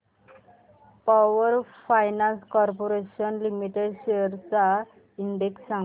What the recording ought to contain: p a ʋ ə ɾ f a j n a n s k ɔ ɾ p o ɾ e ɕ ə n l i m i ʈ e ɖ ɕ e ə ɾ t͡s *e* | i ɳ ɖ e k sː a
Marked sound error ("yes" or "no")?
yes